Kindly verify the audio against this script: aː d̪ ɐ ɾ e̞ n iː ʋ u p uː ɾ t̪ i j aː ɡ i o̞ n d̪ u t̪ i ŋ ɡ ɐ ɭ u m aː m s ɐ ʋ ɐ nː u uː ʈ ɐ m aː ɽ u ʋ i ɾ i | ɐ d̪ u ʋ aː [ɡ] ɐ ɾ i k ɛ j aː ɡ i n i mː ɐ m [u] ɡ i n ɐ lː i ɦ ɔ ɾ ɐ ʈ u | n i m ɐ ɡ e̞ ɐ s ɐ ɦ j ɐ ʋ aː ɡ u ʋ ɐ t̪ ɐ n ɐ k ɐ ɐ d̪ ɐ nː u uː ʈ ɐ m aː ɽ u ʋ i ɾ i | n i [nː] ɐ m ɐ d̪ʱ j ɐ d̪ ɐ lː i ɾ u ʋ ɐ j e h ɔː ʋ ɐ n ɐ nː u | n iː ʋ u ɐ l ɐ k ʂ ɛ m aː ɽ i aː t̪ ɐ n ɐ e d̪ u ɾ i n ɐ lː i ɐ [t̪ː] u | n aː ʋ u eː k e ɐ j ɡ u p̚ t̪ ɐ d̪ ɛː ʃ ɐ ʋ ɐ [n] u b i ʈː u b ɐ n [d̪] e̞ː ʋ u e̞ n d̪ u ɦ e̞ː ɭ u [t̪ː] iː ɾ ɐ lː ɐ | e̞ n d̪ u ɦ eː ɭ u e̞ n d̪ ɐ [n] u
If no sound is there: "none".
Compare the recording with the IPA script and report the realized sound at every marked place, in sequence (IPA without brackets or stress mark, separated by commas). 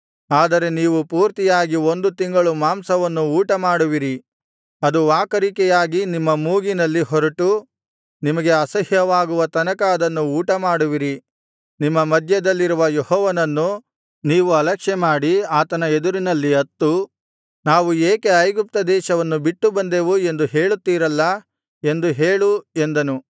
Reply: k, uː, mː, t̪ː, nː, d̪, t̪ː, n